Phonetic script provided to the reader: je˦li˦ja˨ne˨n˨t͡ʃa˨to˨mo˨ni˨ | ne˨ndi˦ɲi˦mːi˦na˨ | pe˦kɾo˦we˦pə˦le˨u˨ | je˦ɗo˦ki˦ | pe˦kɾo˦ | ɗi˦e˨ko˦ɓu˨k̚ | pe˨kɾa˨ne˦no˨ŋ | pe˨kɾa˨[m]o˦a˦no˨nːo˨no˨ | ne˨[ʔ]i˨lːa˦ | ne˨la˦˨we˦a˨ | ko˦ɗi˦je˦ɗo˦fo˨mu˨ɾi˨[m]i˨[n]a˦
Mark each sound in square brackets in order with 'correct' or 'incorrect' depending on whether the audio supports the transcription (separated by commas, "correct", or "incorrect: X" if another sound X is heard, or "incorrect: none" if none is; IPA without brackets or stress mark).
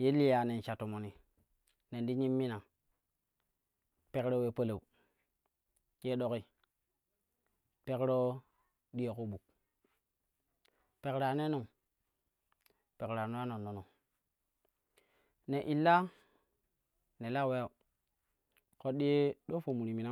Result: incorrect: n, correct, correct, correct